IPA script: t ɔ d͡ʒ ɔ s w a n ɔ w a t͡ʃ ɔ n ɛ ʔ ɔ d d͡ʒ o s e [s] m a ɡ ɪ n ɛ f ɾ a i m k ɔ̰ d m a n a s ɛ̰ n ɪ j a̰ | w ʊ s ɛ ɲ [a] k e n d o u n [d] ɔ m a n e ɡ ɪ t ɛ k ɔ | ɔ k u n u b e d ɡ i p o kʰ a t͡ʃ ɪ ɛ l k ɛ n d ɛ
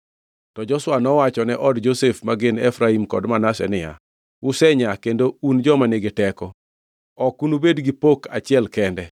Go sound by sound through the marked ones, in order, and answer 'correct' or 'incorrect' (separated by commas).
incorrect, correct, incorrect